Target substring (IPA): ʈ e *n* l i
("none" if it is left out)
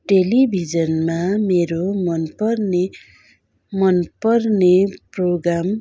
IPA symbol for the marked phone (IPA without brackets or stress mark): none